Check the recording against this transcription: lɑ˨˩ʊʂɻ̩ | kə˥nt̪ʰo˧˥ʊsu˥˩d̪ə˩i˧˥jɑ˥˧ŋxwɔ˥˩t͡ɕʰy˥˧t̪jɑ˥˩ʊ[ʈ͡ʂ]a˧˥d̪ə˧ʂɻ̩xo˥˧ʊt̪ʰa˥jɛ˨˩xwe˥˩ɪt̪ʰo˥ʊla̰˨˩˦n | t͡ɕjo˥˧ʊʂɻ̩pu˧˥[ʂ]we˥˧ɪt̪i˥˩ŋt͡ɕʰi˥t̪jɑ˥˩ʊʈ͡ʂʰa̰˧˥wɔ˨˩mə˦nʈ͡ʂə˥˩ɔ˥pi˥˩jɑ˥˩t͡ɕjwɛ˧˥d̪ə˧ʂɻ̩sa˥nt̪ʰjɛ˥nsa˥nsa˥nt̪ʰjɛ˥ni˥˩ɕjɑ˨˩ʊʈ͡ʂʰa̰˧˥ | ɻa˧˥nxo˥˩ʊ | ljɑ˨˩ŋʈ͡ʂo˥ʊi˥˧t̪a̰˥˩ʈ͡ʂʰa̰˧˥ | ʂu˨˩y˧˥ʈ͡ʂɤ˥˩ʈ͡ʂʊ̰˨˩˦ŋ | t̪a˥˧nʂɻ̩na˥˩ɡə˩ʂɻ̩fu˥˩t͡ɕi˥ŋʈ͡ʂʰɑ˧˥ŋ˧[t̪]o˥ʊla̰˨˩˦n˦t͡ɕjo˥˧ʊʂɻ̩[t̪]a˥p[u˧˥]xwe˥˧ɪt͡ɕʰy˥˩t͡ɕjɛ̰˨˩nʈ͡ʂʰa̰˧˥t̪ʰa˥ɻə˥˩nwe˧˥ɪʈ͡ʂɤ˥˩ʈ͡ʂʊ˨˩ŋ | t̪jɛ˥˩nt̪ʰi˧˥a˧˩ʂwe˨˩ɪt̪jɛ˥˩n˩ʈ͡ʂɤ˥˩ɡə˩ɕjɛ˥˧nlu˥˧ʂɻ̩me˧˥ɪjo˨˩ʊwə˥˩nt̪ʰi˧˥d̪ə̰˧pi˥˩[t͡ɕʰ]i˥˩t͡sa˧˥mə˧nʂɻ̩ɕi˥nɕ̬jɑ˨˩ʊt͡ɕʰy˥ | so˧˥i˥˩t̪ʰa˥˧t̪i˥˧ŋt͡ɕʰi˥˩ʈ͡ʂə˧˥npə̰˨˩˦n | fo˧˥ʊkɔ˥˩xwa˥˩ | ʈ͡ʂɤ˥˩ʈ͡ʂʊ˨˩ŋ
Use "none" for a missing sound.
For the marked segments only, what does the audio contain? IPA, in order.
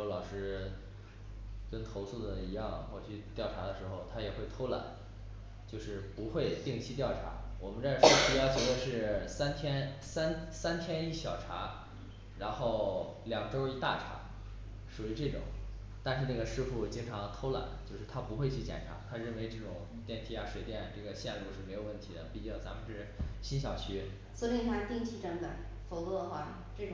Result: ʈ͡ʂʰ, x, t̪ʰ, t̪ʰ, u˧˥, t͡ɕ

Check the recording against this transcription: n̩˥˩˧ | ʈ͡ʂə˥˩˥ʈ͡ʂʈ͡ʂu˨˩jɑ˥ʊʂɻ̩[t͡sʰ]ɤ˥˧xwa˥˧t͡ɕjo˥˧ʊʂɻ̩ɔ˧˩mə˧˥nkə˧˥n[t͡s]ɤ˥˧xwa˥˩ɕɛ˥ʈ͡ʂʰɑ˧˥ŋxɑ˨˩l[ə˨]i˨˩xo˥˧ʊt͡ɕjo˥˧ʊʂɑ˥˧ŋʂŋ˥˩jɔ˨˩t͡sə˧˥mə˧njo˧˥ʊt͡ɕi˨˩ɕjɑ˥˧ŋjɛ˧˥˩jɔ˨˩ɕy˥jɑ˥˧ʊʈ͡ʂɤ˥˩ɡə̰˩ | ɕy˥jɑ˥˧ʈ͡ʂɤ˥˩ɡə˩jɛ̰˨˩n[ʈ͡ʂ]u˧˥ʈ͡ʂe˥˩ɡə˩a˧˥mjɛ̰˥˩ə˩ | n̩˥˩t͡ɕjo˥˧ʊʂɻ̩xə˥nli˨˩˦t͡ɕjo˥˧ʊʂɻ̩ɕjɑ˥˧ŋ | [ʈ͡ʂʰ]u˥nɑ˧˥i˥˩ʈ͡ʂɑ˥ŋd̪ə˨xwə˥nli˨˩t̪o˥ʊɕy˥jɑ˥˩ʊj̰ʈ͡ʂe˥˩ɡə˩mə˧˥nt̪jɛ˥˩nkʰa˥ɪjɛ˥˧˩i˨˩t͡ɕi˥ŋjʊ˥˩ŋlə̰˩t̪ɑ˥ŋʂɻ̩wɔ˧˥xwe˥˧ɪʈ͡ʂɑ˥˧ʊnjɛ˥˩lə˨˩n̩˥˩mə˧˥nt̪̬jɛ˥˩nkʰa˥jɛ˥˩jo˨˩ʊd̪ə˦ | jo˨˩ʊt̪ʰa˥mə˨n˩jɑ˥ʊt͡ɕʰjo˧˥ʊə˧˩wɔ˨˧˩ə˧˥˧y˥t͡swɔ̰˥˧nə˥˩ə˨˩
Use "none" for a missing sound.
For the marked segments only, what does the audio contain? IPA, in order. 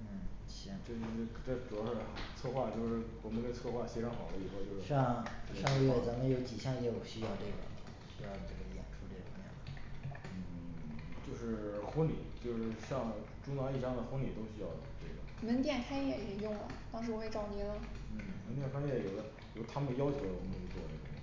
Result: t͡sʰ, t͡sʰ, ə˦, ʈ͡ʂʰ, ʈ͡ʂ

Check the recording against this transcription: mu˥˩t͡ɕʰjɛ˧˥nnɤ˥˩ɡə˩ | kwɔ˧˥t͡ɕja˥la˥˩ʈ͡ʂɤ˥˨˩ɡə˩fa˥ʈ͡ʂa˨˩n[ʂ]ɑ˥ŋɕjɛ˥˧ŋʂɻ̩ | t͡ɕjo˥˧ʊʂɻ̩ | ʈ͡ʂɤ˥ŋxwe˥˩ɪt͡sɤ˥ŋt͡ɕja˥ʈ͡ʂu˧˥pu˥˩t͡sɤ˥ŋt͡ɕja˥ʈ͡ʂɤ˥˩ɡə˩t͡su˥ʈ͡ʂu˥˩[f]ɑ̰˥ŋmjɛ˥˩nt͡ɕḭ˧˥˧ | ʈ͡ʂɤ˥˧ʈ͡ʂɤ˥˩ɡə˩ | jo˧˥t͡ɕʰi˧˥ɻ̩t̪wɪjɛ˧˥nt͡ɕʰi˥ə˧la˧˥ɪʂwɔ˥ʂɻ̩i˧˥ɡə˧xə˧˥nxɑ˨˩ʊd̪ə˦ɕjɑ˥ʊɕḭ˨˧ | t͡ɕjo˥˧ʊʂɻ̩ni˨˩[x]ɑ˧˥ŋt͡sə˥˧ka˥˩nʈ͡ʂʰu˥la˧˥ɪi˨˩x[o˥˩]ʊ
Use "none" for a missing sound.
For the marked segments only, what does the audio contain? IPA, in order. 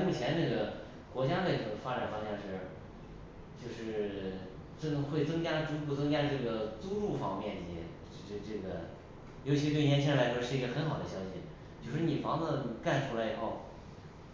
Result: f, f, f, o˥˩

